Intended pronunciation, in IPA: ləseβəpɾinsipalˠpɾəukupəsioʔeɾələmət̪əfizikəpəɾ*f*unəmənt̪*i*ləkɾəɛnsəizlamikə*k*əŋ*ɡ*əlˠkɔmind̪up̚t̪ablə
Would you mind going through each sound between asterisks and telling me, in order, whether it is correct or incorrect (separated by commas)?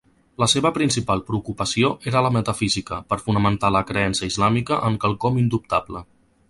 correct, incorrect, incorrect, incorrect